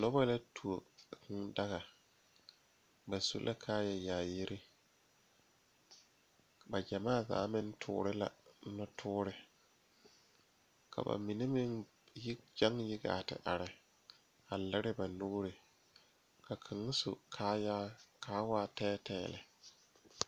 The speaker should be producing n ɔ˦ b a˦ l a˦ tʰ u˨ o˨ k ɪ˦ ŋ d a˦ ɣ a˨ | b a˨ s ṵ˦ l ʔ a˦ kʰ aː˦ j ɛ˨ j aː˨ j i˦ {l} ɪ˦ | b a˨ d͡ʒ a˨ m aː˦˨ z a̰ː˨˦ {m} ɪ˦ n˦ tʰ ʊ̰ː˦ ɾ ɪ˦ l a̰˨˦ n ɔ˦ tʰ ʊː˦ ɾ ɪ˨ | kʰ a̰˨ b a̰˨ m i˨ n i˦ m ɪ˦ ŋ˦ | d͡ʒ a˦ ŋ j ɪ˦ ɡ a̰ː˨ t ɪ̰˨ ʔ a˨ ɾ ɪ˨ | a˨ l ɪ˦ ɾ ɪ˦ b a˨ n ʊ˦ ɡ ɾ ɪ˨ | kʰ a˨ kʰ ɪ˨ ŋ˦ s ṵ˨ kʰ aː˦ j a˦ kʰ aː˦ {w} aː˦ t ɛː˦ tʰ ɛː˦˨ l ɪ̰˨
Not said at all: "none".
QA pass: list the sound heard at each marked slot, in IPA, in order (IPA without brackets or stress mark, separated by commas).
ɾ, m, w